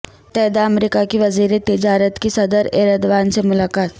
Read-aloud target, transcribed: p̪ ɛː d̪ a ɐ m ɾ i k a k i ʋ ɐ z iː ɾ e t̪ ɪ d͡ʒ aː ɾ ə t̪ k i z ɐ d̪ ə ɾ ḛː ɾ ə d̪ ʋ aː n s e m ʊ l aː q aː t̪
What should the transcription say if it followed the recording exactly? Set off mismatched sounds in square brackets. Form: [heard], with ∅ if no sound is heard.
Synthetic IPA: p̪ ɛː d̪ a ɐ m ɾ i k a k i ʋ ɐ z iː ɾ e t̪ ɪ d͡ʒ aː ɾ ə t̪ k i [s] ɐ d̪ ə ɾ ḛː ɾ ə d̪ ʋ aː n s e m ʊ l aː [k] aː t̪